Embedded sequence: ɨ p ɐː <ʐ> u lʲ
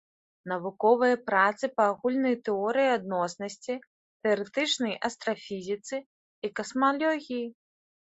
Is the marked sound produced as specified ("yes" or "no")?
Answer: no